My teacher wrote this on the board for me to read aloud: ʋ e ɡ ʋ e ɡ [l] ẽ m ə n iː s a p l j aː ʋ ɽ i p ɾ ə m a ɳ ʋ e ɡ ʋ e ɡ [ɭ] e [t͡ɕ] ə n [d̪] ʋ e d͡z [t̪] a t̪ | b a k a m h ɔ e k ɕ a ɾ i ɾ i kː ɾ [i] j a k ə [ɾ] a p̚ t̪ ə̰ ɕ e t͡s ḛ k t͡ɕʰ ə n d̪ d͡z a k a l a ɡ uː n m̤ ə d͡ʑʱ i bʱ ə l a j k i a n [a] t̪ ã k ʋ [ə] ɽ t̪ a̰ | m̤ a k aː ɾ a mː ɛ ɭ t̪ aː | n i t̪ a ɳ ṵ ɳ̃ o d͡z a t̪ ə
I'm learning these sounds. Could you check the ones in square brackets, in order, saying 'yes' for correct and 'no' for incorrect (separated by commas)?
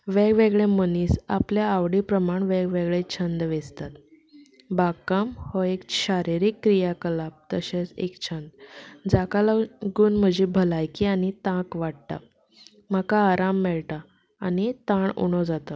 no, yes, no, yes, yes, yes, no, no, no